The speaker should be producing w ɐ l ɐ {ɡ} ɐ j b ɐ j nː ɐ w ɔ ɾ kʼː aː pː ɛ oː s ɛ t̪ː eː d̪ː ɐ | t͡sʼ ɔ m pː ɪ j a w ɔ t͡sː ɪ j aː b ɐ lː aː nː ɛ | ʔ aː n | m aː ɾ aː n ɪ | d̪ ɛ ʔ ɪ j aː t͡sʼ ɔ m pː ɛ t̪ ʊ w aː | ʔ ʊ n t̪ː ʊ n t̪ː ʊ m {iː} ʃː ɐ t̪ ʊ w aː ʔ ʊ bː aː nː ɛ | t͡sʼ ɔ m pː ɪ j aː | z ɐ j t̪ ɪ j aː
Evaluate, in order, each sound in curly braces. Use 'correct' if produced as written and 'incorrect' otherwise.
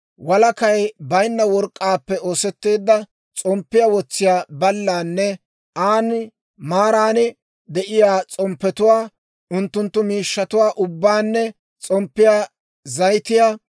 incorrect: k, correct

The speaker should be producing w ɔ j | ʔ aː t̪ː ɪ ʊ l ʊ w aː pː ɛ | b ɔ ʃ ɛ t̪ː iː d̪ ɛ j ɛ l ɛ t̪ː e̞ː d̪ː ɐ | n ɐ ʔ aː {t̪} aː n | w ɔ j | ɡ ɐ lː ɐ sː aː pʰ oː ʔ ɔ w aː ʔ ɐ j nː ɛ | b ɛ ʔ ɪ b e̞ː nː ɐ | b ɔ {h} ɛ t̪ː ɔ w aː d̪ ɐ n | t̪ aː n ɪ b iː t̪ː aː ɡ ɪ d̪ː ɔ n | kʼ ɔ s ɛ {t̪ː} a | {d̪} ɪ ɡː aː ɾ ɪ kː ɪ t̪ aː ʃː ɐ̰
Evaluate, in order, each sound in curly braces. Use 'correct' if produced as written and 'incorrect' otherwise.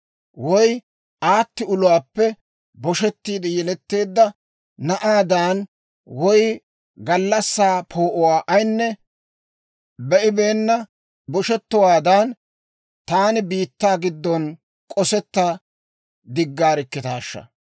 incorrect: d̪, incorrect: ʃ, correct, correct

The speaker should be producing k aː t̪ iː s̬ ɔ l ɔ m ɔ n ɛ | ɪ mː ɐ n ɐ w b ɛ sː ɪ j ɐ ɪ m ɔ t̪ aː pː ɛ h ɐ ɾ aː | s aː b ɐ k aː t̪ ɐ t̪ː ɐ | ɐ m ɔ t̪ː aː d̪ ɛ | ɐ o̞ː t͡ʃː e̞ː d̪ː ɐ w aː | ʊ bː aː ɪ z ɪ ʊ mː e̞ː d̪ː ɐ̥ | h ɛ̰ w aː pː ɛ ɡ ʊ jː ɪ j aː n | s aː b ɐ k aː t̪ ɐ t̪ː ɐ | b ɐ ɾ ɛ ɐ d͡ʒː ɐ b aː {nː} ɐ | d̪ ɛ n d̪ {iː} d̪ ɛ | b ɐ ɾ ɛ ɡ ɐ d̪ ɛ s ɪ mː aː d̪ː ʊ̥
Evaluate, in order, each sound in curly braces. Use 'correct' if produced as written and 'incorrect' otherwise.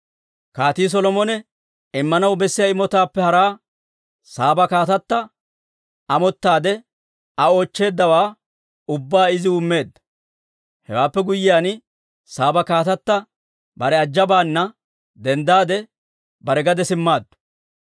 correct, incorrect: aː

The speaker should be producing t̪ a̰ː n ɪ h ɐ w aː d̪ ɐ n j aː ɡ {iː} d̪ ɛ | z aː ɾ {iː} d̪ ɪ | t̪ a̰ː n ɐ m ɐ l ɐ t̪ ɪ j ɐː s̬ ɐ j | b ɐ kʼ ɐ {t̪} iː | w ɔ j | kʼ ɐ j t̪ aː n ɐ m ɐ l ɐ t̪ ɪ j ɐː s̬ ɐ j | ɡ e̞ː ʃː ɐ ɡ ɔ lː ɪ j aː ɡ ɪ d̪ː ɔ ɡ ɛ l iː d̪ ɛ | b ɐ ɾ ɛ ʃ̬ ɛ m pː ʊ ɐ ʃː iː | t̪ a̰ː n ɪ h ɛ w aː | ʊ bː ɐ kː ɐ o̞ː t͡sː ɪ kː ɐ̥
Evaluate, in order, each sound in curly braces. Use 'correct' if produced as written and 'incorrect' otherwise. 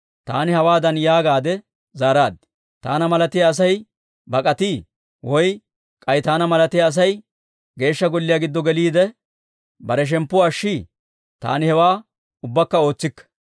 incorrect: aː, incorrect: aː, correct

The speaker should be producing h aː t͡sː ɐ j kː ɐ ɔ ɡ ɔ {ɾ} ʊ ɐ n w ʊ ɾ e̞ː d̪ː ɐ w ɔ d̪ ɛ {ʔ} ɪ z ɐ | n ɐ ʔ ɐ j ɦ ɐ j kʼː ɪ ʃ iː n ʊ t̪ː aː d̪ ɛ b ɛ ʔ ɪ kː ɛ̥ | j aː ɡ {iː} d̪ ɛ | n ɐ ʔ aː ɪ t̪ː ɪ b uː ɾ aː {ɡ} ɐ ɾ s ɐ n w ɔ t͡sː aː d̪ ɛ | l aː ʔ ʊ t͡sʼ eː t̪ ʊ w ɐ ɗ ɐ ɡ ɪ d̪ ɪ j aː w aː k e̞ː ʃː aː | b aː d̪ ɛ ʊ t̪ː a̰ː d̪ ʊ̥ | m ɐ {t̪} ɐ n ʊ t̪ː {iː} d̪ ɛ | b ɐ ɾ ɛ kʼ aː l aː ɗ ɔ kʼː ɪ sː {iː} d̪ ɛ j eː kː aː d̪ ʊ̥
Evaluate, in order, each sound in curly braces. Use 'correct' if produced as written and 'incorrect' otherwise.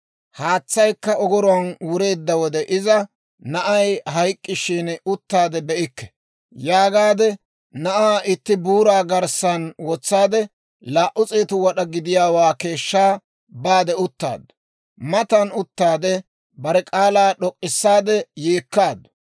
correct, correct, incorrect: aː, correct, correct, incorrect: aː, incorrect: aː

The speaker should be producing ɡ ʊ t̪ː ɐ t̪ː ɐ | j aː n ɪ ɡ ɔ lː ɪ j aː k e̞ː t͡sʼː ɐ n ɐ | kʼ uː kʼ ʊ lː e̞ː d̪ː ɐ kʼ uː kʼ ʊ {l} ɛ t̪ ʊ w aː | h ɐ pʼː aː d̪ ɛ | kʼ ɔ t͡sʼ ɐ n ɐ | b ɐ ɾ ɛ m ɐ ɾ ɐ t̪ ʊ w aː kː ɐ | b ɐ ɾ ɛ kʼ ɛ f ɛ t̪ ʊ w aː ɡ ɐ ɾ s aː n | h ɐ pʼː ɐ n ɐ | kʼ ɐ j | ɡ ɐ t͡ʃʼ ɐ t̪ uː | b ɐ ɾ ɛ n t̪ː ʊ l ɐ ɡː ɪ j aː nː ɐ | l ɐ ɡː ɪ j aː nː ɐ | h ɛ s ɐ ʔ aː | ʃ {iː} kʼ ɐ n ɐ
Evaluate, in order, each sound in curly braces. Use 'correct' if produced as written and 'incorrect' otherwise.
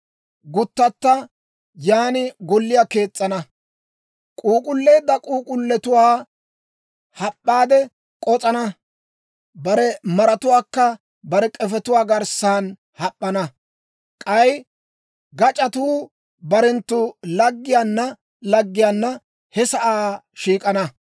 incorrect: lː, correct

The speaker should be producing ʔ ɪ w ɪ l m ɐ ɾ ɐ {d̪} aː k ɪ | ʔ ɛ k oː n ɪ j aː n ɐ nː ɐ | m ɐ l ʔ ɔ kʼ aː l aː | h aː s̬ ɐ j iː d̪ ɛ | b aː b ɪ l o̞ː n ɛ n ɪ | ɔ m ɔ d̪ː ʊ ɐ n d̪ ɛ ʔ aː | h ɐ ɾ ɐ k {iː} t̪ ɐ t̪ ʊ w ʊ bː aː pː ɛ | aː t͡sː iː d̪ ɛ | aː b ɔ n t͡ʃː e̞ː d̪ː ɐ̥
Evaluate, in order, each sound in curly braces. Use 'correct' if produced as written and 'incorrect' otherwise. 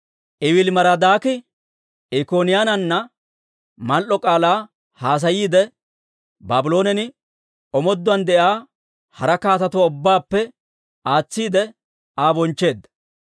correct, incorrect: aː

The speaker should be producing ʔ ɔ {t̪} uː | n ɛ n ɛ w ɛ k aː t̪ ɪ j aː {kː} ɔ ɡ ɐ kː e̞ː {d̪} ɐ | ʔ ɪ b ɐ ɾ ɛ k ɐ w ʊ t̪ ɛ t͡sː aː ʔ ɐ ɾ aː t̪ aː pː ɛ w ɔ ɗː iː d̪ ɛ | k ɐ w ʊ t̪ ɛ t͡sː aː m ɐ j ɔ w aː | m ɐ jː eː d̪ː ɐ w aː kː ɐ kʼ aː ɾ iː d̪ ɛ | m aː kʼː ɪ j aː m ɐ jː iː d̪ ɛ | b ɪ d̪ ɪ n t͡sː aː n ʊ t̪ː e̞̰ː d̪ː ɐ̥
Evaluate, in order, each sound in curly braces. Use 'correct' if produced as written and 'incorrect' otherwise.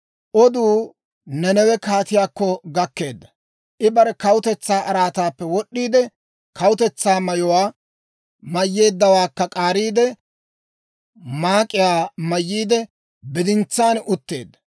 incorrect: d̪, correct, incorrect: d̪ː

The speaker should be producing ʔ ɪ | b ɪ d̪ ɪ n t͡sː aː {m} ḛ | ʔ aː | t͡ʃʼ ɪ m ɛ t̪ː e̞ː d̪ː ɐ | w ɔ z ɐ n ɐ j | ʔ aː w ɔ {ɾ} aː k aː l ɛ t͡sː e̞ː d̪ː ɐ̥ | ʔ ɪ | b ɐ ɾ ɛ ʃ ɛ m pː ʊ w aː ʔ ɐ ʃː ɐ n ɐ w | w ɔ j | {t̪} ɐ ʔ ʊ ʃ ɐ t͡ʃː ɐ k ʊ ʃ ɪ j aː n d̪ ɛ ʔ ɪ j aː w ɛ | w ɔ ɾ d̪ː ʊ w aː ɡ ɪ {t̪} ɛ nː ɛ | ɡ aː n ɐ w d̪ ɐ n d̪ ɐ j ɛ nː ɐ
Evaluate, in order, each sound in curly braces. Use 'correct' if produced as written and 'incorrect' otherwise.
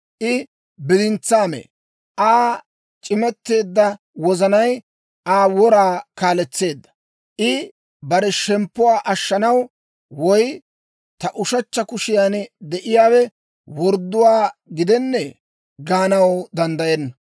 correct, correct, correct, incorrect: d̪

